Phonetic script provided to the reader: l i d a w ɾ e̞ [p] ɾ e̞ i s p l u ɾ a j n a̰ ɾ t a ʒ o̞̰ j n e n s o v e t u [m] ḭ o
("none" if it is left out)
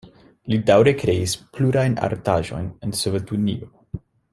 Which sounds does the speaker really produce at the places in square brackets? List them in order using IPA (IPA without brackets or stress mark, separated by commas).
k, n